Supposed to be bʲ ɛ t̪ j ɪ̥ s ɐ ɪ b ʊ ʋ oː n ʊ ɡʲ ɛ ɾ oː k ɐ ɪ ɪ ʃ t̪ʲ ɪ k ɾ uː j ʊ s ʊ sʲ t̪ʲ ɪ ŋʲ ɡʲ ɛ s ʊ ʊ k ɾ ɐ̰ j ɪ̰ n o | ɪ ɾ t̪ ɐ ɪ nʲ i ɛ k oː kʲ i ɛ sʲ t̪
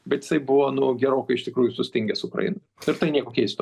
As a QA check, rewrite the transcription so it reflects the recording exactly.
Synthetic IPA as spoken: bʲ ɛ t̪ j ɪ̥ s ɐ ɪ b ʊ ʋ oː n ʊ ɡʲ ɛ ɾ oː k ɐ ɪ ɪ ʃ t̪ʲ ɪ k ɾ uː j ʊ s ʊ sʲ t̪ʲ ɪ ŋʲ ɡʲ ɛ s ʊ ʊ k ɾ ɐ̰ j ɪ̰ n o | ɪ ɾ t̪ ɐ ɪ nʲ i ɛ k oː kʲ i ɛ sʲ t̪